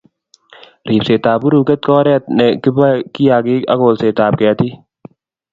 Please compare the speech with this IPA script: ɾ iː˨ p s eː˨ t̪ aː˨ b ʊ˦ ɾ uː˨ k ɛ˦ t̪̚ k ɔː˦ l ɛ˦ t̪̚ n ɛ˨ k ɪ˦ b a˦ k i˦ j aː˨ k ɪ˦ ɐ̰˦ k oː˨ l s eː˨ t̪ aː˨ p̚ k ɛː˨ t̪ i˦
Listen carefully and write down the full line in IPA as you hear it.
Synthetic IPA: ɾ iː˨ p s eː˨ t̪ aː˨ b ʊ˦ ɾ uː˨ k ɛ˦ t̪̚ k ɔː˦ ɾ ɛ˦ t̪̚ n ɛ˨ k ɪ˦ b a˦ k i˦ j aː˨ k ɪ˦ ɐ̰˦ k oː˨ l s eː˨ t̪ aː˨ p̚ k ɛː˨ t̪ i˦